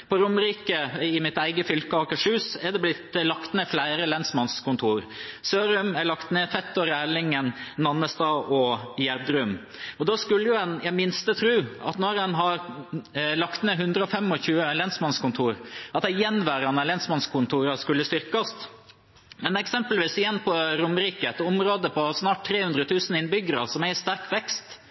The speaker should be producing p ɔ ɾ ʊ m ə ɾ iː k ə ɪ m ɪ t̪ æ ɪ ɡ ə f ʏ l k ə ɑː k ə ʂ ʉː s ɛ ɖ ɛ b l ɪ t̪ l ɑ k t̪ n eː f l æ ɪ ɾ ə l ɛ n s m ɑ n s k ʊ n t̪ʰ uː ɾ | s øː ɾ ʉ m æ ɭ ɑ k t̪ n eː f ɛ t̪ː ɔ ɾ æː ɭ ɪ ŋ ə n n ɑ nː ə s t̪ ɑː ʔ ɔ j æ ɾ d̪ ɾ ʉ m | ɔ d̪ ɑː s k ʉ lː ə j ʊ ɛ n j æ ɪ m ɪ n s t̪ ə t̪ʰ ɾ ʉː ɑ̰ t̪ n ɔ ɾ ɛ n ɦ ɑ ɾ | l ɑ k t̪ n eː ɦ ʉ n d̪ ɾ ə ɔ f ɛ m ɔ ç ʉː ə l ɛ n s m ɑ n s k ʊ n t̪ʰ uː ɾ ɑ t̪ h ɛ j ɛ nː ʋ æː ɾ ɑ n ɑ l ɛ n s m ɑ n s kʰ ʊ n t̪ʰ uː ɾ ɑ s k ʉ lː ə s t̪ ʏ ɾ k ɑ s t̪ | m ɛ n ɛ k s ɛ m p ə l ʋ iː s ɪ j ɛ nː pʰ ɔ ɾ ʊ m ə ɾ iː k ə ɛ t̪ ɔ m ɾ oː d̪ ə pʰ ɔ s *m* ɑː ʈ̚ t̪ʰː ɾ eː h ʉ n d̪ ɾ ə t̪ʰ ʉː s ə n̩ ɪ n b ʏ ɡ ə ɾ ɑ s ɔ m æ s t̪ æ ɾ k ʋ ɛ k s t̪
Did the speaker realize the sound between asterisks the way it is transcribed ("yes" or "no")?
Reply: no